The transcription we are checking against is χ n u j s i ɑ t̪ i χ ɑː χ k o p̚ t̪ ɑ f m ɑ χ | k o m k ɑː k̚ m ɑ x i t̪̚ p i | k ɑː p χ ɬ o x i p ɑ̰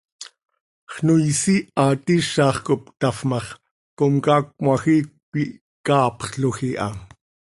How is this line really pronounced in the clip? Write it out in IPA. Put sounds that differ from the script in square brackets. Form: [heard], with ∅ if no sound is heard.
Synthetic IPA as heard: χ n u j s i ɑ t̪ i [ʃ] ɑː χ k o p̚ t̪ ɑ f m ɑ χ | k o m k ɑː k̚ m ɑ x i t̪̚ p i | k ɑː p χ ɬ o x i [ʔ] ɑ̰